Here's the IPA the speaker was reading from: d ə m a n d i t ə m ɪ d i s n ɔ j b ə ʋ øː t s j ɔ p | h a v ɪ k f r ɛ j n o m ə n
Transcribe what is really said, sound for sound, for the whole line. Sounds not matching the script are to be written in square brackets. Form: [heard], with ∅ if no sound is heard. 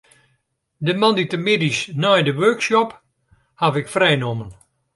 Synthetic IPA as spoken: d ə m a n d i t ə m ɪ d i s n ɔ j [d] ə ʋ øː [k] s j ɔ p | h a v ɪ k f r ɛ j n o m ə n